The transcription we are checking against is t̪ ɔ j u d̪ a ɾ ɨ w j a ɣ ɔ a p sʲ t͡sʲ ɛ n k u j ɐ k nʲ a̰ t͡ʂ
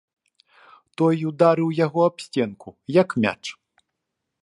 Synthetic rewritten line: t̪ ɔ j u d̪ a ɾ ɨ w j a ɣ ɔ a p sʲ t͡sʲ ɛ n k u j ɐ k mʲ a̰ t͡ʂ